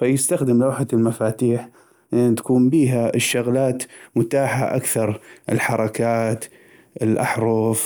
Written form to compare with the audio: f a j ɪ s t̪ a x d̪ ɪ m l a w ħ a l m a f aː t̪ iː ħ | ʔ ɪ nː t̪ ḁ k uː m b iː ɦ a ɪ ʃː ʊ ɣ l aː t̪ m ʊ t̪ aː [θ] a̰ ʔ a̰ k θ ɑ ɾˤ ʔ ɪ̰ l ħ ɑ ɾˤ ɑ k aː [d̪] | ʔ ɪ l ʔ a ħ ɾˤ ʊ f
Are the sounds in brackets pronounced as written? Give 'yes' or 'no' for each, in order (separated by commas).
no, no